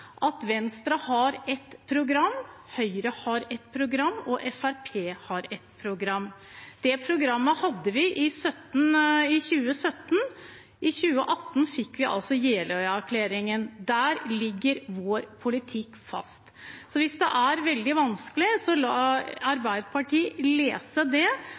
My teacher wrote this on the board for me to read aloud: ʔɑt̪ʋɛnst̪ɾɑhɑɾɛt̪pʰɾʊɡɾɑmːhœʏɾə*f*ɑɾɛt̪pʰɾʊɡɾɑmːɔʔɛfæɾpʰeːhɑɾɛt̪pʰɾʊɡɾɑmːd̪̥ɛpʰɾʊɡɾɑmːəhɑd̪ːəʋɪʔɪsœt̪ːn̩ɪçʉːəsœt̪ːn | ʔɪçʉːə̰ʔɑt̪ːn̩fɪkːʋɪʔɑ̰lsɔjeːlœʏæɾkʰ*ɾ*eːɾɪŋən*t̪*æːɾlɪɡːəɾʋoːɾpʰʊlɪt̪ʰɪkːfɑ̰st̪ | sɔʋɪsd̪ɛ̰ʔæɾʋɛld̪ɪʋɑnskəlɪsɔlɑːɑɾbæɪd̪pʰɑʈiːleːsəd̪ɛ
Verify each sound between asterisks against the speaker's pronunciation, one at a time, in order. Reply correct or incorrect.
incorrect: h, incorrect: l, incorrect: d̪

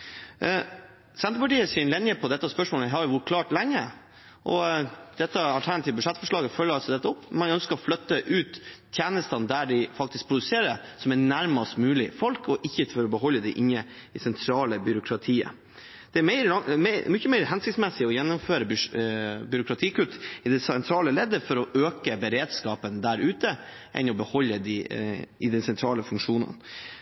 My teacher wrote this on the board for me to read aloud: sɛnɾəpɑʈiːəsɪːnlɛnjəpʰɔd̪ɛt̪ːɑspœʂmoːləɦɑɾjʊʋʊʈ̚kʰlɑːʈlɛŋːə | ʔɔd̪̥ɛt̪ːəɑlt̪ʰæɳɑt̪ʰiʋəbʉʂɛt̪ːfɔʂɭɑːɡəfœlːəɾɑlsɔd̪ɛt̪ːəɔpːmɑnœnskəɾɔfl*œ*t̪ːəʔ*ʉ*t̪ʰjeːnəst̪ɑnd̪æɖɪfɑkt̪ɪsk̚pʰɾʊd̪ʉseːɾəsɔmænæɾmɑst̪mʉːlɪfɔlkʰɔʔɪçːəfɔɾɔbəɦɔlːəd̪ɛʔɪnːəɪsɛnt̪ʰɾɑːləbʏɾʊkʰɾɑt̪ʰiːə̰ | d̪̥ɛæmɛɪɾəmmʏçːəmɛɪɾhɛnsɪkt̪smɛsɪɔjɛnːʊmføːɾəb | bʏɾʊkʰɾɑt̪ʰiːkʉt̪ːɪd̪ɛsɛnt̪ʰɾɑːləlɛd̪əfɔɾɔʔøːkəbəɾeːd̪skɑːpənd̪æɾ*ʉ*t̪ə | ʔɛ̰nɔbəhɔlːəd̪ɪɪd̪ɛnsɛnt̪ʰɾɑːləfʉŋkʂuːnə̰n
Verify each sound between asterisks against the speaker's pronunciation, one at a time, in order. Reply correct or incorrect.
correct, incorrect: ʉː, incorrect: ʉː

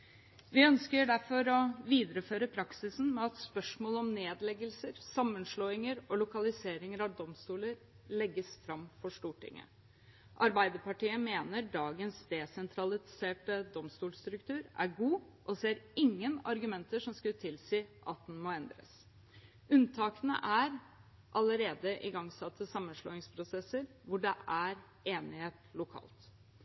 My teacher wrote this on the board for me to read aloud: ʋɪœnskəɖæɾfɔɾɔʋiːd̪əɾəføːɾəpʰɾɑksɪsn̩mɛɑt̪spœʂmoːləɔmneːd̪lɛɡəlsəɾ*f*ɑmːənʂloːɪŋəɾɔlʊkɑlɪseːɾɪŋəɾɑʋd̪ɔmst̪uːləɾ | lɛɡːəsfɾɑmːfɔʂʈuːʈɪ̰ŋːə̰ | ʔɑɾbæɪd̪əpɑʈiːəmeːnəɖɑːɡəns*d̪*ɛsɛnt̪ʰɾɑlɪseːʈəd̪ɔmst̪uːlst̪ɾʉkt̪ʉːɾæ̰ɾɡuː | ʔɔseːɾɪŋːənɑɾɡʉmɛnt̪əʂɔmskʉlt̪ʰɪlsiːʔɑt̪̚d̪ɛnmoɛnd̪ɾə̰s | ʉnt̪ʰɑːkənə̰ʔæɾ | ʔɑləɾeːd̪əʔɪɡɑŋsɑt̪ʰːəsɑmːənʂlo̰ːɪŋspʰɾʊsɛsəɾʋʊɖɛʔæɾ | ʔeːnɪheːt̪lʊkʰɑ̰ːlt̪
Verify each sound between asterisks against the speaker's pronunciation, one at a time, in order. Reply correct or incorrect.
incorrect: s, correct

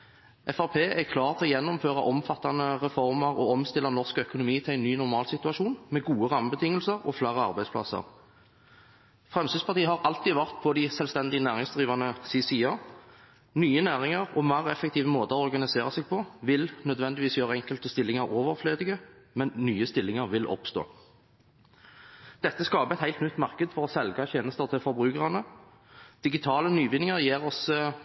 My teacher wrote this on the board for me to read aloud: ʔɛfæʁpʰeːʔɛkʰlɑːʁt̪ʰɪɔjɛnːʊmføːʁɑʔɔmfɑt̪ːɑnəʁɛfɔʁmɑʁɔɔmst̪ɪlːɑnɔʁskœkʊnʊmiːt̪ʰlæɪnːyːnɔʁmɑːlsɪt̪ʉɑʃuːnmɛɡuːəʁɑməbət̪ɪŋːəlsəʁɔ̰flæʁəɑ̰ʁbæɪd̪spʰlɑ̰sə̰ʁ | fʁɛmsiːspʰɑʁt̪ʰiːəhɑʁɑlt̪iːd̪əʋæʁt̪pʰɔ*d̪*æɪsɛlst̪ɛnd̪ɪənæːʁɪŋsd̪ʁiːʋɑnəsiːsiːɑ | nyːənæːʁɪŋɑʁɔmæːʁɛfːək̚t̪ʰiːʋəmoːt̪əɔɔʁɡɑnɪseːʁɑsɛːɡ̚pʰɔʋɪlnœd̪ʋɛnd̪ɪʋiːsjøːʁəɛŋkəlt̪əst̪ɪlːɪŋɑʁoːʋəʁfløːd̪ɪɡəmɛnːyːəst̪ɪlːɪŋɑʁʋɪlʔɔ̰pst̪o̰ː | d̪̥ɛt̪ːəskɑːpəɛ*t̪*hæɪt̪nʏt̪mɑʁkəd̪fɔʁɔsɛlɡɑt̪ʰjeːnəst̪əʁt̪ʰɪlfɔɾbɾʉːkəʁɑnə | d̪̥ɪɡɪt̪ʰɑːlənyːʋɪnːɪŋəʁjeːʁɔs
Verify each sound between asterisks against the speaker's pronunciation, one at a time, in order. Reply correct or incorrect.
correct, correct

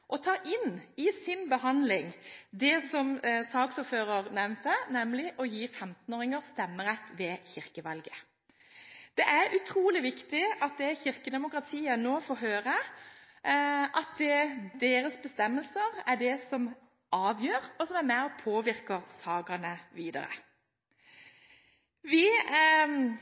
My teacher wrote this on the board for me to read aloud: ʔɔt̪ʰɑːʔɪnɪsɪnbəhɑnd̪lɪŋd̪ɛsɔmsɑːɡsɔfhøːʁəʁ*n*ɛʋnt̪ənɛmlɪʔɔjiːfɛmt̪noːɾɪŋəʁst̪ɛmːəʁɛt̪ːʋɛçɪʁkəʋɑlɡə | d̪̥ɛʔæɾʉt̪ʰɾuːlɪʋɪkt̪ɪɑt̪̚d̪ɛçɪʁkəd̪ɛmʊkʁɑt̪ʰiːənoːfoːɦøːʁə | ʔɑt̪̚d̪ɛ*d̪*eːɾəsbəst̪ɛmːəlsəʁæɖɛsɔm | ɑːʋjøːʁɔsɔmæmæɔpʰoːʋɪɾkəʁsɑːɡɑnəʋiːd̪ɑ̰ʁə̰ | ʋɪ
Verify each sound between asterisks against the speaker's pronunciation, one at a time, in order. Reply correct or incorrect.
correct, correct

